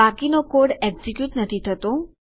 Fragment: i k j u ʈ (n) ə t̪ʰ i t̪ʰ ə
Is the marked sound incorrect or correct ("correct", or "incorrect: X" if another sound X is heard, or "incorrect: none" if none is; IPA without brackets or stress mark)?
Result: correct